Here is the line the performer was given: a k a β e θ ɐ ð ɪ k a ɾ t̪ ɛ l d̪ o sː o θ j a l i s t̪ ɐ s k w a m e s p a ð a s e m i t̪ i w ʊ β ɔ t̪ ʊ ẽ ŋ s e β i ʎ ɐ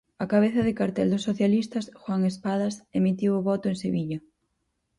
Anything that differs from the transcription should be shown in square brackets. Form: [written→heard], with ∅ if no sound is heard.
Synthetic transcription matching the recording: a k a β e θ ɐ ð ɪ k a ɾ t̪ ɛ l d̪ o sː o θ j a l i s t̪ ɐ s [k→x] w a [m→ŋ] e s p a ð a s e m i t̪ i w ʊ β ɔ t̪ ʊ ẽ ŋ s e β i ʎ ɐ